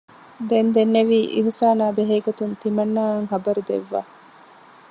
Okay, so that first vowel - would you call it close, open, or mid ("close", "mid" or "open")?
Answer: mid